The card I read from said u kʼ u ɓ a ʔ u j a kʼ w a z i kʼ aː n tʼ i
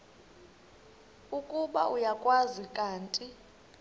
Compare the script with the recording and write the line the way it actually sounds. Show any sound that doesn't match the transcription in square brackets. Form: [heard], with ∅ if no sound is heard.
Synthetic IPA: u kʼ u ɓ a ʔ u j a kʼ w a z i kʼ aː n tʼ i